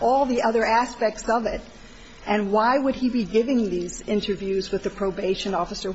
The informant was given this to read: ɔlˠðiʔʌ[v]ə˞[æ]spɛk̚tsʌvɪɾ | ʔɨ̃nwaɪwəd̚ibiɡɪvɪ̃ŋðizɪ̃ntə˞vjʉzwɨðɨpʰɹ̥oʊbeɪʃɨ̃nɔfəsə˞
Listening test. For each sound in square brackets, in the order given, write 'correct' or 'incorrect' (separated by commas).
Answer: incorrect, correct